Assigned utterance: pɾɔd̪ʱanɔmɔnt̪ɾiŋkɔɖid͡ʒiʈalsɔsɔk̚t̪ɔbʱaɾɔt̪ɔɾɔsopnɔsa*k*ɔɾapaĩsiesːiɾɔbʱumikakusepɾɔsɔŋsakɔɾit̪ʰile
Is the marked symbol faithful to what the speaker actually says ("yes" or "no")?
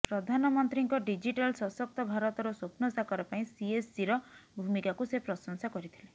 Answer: yes